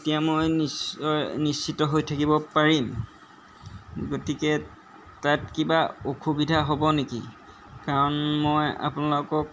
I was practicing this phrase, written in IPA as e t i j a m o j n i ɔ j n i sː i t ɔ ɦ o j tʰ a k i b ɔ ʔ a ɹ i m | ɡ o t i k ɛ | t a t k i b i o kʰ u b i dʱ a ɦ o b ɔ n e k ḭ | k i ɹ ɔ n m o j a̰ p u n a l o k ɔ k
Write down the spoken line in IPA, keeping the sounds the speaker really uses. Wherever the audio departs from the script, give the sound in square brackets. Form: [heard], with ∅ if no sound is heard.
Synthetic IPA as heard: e t i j a m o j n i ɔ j n i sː i t ɔ ɦ o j tʰ a k i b ɔ [p] a ɹ i m | ɡ o t i k ɛ | t a t k i b [a] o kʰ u b i dʱ a ɦ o b ɔ n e k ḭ | k [a] ɹ ɔ n m o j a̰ p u n a l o k ɔ k